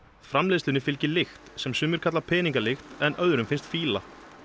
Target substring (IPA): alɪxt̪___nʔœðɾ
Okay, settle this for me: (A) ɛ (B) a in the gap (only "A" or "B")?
A